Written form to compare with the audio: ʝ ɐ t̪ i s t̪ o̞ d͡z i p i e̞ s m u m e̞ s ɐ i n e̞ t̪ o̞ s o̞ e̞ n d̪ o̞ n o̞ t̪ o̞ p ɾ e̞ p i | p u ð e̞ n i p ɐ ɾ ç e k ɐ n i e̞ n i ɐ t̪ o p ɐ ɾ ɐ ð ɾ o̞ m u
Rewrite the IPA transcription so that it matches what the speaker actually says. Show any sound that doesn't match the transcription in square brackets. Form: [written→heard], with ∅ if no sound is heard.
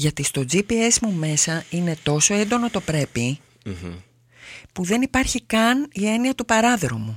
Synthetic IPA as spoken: ʝ ɐ t̪ i s t̪ o̞ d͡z i p i e̞ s m u m e̞ s ɐ i n e̞ t̪ o̞ s o̞ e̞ n d̪ o̞ n o̞ t̪ o̞ p ɾ e̞ p i | p u ð e̞ n i p ɐ ɾ ç [e→i] k ɐ n i e̞ n i ɐ t̪ [o→u] p ɐ ɾ ɐ ð ɾ o̞ m u